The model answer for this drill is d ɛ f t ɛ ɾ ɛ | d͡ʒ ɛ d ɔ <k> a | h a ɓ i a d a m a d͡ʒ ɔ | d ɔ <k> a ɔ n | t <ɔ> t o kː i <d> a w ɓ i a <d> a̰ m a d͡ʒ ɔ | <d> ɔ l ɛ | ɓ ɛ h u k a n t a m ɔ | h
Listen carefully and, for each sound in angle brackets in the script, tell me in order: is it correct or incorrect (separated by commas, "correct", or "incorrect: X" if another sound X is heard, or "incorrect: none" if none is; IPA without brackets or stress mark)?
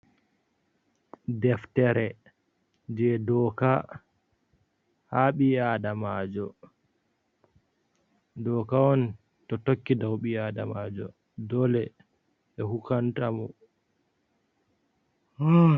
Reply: correct, correct, correct, correct, correct, correct